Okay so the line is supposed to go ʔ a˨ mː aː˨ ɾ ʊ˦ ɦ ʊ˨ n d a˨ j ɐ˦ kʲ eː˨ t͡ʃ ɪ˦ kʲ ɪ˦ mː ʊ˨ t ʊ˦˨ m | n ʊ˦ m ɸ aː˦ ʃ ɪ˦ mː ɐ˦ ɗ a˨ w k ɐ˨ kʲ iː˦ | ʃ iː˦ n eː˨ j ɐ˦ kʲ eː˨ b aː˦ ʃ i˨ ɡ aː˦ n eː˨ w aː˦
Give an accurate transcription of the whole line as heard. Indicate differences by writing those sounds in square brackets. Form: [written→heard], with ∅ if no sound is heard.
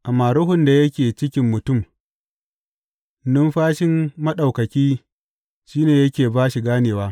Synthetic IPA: ʔ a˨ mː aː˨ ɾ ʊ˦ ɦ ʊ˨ n d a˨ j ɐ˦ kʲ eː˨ t͡ʃ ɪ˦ kʲ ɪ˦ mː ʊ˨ t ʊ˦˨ m | n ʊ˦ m ɸ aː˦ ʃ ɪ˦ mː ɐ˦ ɗ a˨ w k ɐ˨ kʲ iː˦ | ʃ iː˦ n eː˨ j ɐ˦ kʲ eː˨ b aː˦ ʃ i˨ ɡ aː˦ n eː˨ w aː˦